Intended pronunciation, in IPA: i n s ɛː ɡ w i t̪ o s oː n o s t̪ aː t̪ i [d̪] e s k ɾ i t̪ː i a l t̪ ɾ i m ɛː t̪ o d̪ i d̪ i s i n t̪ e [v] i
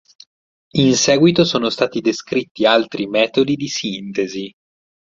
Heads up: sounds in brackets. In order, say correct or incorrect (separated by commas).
correct, incorrect